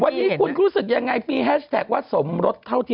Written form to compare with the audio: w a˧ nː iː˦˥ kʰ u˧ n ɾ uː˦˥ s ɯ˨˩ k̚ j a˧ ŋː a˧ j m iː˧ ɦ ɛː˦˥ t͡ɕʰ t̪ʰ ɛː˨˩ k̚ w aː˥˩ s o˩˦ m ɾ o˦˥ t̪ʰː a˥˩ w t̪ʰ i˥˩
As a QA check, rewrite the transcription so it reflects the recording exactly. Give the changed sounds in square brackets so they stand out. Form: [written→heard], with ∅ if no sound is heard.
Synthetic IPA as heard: w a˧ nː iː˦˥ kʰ u˧ n ɾ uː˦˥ s ɯ˨˩ k̚ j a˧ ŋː a˧ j m iː˧ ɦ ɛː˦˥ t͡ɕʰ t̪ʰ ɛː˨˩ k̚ w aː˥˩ s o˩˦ m ɾ o˦˥ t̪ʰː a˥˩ w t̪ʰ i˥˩